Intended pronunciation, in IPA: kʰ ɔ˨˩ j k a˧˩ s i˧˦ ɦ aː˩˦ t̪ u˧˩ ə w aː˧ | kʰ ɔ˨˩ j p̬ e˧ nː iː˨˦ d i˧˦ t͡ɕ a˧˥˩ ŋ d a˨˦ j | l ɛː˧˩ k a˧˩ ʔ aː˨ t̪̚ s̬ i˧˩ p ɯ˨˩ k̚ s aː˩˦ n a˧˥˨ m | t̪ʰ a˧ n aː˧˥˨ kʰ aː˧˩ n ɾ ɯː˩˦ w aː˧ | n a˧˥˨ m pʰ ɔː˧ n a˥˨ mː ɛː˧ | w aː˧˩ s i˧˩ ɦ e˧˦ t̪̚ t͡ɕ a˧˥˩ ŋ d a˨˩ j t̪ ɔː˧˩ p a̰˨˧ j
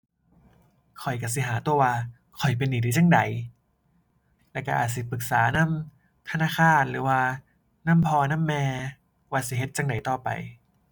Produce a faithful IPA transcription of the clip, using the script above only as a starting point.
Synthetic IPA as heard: kʰ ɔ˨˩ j k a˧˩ s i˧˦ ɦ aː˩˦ t̪ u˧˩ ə w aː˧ | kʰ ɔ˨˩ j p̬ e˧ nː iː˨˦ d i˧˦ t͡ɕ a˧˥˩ ŋ d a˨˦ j | l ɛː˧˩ k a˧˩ ʔ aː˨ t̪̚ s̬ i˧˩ p ɯ˨˩ k̚ s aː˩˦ n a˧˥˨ m | t̪ʰ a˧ n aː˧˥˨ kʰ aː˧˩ n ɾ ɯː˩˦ w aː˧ | n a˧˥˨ m pʰ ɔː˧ n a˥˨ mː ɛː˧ | w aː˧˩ s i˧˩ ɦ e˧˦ t̪̚ t͡ɕ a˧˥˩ ŋ d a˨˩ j t̪ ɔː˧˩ p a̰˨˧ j